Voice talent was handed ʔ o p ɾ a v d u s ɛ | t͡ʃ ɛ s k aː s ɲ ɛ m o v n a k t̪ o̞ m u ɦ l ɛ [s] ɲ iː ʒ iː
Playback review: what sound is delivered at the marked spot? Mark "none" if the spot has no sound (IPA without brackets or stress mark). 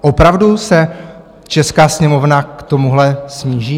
s